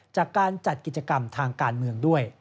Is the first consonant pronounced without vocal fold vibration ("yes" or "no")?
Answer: yes